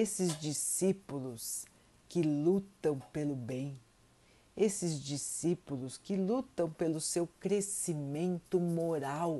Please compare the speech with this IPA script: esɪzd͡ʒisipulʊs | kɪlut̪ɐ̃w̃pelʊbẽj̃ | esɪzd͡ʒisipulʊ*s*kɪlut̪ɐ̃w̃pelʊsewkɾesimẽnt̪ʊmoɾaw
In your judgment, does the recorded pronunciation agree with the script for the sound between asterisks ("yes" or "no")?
yes